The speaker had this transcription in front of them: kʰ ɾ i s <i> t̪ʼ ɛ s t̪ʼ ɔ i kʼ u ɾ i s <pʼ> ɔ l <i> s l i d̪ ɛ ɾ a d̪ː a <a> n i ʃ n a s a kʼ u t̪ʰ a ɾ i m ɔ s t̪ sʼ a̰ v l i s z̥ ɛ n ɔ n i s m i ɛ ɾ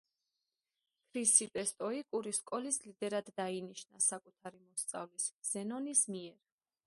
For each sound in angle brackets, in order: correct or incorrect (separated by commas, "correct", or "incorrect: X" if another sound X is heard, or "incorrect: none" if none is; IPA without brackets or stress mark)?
correct, incorrect: kʼ, correct, incorrect: i